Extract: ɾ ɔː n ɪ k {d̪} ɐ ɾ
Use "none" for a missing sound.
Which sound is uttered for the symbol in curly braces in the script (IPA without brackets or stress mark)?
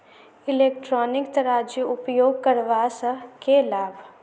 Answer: t̪